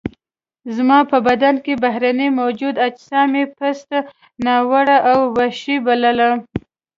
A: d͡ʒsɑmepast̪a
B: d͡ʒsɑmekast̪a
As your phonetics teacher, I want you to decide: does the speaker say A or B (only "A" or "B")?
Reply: A